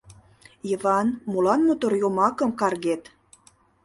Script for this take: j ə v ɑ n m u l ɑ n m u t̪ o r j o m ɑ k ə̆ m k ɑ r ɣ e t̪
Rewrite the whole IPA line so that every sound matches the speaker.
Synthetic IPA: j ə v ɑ n m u l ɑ n m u t̪ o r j o m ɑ k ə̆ m k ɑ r ɣ e t̪